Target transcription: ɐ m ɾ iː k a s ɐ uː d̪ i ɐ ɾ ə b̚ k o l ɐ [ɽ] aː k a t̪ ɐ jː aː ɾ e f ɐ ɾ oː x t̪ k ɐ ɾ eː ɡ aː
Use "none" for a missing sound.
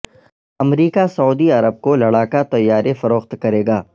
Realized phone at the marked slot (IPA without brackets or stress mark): ɽ